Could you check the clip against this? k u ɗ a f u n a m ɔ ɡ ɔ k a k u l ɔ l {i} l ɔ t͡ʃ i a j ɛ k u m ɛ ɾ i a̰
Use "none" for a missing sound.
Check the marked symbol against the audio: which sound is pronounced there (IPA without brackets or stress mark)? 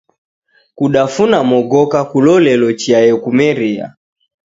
ɛ